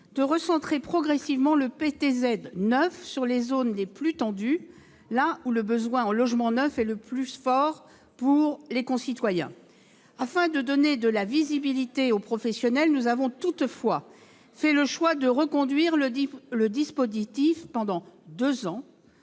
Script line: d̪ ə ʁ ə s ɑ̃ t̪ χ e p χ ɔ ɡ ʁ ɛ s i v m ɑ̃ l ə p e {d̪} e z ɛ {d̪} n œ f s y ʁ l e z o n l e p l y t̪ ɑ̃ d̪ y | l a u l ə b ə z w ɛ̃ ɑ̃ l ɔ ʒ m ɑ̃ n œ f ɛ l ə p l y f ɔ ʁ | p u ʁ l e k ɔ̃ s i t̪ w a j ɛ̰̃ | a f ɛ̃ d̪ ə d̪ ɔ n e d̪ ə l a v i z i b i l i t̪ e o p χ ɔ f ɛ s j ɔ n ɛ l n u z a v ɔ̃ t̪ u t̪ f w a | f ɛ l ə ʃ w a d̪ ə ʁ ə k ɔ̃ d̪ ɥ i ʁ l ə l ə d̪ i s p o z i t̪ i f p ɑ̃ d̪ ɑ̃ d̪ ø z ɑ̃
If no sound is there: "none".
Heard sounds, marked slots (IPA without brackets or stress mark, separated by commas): t̪, d̪